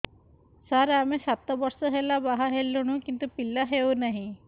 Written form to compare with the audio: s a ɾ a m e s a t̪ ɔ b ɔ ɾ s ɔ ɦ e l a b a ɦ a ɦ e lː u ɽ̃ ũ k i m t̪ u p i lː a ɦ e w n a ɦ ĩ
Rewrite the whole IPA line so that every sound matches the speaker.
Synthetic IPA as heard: s a ɾ a m e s a t̪ ɔ b ɔ ɾ s ɔ ɦ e l a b a ɦ a ɦ e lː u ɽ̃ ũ k i n t̪ u p i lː a ɦ e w n a ɦ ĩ